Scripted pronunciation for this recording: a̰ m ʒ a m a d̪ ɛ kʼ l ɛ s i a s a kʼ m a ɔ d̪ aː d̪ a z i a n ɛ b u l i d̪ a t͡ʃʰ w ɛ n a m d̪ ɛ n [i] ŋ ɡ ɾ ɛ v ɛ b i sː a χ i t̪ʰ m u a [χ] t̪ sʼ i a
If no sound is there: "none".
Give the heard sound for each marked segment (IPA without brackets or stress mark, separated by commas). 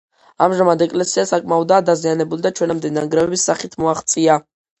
a, χ